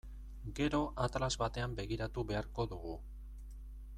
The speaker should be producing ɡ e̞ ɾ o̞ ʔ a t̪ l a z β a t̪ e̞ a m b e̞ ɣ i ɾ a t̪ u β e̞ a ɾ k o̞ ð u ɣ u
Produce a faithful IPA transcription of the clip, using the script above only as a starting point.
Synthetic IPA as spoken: ɡ e̞ ɾ o̞ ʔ a t̪ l a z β a t̪ e̞ a m b e̞ ɣ i ɾ a t̪ u β e̞ a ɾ k o̞ ð u ɣ u